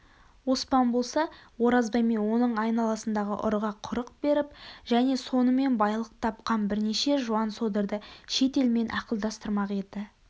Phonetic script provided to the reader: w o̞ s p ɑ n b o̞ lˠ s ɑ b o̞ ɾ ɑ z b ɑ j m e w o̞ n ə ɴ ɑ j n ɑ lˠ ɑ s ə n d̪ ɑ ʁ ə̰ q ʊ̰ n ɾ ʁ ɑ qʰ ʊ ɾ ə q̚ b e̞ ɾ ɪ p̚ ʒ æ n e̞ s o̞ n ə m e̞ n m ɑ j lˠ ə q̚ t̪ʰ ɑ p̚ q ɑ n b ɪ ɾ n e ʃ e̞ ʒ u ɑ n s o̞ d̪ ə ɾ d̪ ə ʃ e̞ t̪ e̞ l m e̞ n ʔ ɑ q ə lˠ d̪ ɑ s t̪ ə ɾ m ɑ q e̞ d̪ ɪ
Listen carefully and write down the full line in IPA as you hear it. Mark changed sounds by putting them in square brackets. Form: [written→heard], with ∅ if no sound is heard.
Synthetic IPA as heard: w o̞ s p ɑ n b o̞ lˠ s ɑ [b→w] o̞ ɾ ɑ z b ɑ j m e w o̞ n ə ɴ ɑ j n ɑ lˠ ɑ s ə n d̪ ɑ ʁ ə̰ [q→ʔ] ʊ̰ [n→∅] ɾ ʁ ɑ qʰ ʊ ɾ ə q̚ b e̞ ɾ ɪ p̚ ʒ æ n e̞ s o̞ n ə m e̞ n [m→b] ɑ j lˠ ə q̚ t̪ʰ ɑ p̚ q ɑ n b ɪ ɾ n e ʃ e̞ ʒ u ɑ n s o̞ d̪ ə ɾ d̪ ə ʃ e̞ t̪ e̞ l m e̞ n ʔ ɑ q ə lˠ d̪ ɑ s t̪ ə ɾ m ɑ q e̞ d̪ ɪ